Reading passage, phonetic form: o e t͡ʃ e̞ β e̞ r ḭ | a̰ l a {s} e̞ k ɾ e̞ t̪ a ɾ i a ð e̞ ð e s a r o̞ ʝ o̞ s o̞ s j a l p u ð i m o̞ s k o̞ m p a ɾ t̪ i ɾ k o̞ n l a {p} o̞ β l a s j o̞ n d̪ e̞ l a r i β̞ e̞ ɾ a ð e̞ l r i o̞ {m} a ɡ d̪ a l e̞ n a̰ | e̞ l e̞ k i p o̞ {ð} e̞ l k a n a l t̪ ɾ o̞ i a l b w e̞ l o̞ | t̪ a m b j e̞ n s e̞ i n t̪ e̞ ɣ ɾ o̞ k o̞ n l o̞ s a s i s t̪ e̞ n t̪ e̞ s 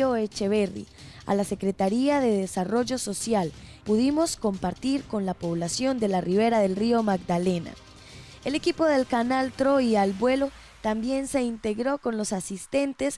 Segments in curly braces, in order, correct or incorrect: correct, correct, correct, correct

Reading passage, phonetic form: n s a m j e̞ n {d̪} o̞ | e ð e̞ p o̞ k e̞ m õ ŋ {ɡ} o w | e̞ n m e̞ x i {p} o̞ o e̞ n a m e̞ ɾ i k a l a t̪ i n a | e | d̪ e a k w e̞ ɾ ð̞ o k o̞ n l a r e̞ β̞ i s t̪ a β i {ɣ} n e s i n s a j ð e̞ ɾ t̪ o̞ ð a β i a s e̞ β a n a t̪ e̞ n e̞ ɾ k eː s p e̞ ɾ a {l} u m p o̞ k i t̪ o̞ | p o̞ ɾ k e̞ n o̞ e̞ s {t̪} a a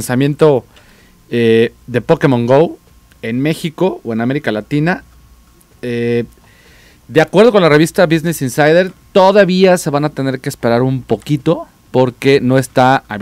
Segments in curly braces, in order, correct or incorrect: incorrect: t̪, correct, incorrect: k, incorrect: z, incorrect: ɾ, correct

